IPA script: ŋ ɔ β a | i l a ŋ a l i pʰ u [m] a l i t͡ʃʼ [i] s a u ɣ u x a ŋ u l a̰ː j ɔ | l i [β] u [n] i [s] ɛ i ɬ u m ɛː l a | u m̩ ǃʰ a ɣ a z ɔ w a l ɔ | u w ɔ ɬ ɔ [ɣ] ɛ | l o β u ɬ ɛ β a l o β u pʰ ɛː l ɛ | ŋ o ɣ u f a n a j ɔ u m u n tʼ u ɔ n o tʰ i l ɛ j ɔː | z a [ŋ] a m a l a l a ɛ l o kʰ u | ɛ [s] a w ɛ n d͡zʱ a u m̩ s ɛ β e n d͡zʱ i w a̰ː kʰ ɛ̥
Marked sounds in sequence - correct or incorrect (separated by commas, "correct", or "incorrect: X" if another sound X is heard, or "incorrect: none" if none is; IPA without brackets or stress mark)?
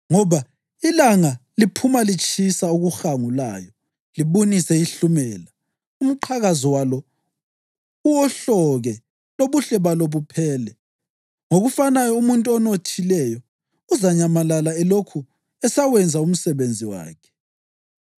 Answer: correct, correct, correct, correct, correct, correct, incorrect: ɲ, correct